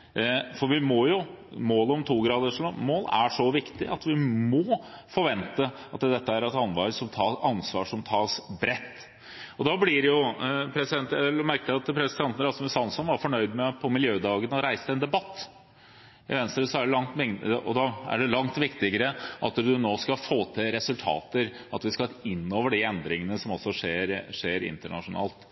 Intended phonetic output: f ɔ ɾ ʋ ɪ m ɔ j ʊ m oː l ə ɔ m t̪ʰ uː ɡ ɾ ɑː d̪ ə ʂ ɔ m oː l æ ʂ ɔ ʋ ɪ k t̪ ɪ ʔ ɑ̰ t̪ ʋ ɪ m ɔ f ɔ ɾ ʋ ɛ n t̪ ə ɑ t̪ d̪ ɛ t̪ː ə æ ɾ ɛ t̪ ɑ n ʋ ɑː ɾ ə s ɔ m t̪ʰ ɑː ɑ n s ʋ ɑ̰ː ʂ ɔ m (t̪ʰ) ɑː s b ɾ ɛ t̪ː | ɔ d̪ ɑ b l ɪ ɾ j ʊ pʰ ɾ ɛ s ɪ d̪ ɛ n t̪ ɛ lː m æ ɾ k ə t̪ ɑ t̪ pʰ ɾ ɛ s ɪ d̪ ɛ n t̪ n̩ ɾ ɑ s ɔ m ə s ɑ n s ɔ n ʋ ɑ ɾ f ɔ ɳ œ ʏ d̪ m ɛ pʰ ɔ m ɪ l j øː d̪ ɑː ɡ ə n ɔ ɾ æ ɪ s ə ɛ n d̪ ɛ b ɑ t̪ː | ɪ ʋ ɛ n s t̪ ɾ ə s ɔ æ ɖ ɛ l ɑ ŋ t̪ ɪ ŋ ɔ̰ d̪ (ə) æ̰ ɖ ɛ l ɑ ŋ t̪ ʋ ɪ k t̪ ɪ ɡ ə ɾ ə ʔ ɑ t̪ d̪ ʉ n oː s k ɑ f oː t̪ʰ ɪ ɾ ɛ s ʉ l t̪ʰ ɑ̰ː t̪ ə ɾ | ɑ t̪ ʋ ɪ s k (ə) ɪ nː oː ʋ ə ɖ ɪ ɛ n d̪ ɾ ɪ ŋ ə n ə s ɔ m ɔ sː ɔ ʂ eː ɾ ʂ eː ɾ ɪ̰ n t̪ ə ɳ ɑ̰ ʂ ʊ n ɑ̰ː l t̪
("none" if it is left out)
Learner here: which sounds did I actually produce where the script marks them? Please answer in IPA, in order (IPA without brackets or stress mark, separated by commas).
t̪ʰ, ɑ, ɑ